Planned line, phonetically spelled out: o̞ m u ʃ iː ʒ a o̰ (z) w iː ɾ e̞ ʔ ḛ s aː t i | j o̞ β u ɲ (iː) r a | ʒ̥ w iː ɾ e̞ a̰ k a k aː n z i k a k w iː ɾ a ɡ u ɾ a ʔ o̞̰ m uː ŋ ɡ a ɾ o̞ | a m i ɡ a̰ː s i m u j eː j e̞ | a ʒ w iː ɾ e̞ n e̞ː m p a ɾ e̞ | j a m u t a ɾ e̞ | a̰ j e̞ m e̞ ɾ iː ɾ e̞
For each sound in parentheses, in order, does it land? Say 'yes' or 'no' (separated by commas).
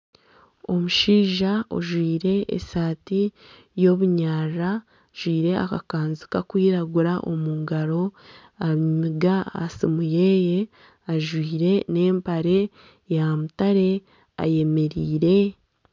no, no